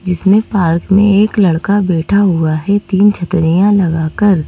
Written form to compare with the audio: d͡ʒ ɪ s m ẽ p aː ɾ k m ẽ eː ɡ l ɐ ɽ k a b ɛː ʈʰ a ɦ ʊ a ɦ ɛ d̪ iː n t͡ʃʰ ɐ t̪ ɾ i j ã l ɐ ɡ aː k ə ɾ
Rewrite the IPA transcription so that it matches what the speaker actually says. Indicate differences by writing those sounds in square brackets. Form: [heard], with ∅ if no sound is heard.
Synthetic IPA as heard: d͡ʒ ɪ s m ẽ p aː ɾ k m ẽ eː [k] l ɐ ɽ k a b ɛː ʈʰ a ɦ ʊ a ɦ ɛ [t̪] iː n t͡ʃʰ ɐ t̪ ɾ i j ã l ɐ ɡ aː k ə ɾ